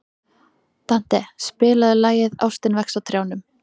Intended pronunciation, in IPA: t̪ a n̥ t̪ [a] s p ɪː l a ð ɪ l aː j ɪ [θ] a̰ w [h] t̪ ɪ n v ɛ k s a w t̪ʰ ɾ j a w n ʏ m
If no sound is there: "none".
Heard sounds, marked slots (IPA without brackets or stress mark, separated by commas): ɛ, ð, s